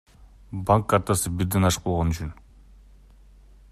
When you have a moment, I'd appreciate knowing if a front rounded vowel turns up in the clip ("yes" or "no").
yes